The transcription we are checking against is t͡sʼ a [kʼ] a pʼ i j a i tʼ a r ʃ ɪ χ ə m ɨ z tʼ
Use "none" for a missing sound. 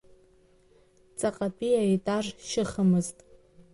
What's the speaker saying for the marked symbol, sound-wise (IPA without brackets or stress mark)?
qʼ